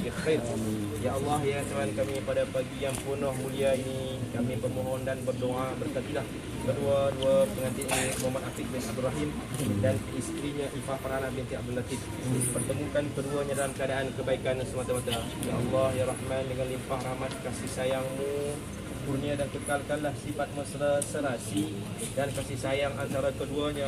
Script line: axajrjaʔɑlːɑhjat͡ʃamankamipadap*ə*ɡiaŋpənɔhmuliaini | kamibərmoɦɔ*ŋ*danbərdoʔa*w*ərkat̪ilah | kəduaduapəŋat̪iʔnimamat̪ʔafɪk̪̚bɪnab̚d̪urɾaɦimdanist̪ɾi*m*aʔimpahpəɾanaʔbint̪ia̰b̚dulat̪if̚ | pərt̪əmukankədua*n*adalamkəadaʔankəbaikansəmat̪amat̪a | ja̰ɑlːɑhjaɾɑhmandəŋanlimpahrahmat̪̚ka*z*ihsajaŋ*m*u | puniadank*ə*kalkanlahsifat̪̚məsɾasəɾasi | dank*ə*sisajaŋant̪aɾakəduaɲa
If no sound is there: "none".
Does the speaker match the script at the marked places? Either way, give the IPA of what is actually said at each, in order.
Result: a, n, b, ɲ, ɲ, s, m, ə, a

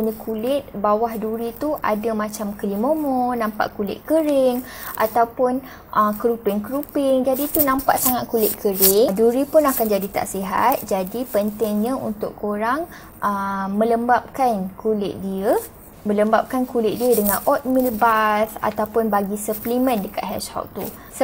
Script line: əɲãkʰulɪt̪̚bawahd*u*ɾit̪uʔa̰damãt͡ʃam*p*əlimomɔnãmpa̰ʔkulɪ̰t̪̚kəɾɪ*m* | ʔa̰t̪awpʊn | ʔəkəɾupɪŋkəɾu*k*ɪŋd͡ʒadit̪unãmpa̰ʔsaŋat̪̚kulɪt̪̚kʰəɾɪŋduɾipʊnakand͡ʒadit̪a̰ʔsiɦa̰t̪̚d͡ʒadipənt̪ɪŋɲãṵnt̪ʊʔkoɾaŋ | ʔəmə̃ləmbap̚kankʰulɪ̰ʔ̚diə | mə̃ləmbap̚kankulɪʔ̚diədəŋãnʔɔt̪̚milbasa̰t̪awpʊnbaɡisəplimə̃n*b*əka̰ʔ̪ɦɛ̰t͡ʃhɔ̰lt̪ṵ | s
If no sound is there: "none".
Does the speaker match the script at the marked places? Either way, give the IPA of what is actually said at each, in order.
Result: u, k, ŋ, p, d

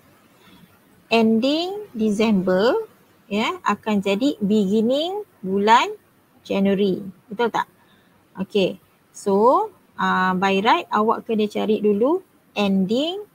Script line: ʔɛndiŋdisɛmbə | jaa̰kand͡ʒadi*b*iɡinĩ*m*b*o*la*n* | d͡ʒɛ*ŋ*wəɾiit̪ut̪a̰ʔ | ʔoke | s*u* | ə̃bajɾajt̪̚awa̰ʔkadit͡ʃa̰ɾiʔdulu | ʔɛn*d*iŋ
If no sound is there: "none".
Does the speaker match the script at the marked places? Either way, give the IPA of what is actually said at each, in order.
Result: b, ŋ, u, n, n, o, d

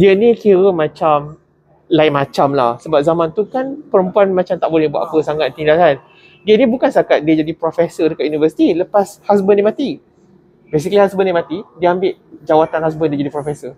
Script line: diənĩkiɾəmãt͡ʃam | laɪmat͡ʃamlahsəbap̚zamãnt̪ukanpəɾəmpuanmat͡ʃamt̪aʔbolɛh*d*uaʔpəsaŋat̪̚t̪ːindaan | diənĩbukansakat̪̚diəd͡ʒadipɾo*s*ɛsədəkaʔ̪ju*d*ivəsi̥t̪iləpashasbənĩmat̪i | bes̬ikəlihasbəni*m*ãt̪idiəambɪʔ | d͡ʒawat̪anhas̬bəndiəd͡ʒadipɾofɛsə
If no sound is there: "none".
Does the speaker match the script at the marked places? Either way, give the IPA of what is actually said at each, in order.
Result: b, f, n, m

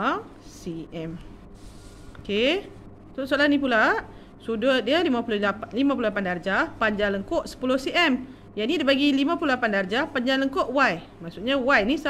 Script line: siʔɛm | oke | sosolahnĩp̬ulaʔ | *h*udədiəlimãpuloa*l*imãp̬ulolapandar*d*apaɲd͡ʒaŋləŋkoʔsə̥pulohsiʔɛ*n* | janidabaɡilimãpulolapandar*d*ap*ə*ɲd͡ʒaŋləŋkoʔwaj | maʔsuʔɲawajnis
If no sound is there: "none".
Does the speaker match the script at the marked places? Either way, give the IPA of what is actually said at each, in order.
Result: s, l, d͡ʒ, m, d͡ʒ, a

